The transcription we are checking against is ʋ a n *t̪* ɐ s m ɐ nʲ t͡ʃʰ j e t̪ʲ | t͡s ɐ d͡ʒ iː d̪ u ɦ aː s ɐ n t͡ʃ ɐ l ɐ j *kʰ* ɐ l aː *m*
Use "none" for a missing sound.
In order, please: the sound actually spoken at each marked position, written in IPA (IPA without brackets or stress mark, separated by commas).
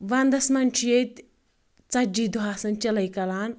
d̪, k, n